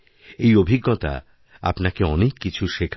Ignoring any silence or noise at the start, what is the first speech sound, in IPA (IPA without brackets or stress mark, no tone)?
e